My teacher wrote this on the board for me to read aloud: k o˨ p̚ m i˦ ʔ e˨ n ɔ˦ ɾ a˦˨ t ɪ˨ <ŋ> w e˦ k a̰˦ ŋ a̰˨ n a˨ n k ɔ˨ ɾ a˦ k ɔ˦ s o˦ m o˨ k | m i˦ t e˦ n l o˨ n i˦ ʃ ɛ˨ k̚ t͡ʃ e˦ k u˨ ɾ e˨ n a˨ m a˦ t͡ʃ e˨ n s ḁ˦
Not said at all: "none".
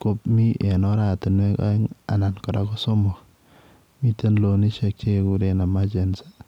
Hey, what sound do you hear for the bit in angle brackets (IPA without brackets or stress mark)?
n